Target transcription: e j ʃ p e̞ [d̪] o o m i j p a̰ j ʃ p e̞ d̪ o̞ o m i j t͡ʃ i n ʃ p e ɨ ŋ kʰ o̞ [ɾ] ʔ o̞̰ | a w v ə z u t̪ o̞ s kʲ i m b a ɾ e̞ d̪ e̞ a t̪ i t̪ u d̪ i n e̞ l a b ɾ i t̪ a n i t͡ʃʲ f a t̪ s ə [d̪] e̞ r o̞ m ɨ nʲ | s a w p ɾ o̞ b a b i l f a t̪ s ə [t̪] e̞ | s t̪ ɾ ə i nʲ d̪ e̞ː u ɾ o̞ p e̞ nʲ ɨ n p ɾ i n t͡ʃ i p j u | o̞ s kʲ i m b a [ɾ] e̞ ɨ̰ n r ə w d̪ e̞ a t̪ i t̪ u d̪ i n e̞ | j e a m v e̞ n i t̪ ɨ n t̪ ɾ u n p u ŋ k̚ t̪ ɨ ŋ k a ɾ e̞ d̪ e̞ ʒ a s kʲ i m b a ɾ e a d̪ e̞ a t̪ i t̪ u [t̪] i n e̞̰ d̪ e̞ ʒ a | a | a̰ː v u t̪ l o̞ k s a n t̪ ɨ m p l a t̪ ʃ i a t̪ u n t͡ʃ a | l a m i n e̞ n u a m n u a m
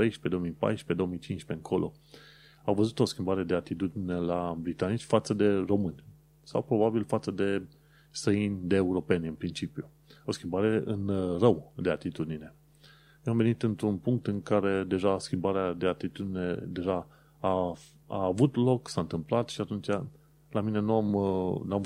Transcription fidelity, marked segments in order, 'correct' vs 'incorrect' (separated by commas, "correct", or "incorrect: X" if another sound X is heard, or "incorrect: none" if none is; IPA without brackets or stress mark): correct, incorrect: l, correct, incorrect: d̪, correct, incorrect: d̪